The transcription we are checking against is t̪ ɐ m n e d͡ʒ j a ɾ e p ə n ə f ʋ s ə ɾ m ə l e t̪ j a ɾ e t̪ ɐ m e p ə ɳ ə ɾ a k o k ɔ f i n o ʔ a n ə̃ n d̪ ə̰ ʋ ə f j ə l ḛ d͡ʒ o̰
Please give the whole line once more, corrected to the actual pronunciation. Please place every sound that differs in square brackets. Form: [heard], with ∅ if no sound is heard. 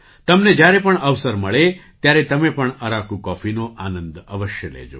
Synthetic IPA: t̪ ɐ m n e d͡ʒ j a ɾ e p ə [ɳ] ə [∅] ʋ s ə ɾ m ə [ɭ] e t̪ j a ɾ e t̪ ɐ m e p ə ɳ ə ɾ a k [u] k ɔ f i n o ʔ a n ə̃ n d̪ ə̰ ʋ ə [ʃ] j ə l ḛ d͡ʒ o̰